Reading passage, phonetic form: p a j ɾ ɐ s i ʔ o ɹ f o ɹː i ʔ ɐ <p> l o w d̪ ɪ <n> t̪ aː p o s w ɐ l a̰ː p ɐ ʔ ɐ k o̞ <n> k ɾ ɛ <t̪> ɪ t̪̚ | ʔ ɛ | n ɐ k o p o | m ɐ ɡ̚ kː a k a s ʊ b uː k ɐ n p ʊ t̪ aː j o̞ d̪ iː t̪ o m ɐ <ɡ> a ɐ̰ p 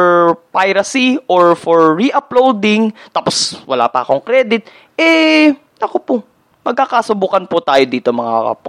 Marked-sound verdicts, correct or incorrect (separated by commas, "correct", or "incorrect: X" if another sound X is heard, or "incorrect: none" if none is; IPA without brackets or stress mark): correct, incorrect: ŋ, incorrect: ŋ, incorrect: d̪, incorrect: ŋ